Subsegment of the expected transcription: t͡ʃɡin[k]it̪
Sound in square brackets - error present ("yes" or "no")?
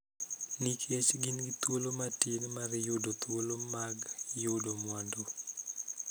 yes